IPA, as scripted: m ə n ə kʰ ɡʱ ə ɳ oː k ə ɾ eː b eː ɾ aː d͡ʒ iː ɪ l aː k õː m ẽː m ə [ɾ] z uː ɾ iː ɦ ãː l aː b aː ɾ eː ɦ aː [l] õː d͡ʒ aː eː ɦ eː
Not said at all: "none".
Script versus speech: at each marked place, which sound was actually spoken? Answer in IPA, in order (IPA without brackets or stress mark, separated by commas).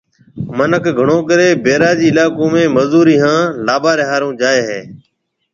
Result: none, ɾ